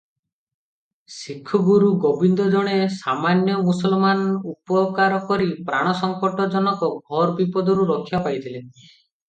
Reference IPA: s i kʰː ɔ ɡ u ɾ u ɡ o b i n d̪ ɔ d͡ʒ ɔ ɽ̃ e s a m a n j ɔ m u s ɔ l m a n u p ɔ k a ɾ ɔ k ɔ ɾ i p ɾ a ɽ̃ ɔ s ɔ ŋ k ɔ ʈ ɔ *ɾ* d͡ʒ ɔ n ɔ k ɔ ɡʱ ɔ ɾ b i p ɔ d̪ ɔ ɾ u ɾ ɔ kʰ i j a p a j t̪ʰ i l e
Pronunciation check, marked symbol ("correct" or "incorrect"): incorrect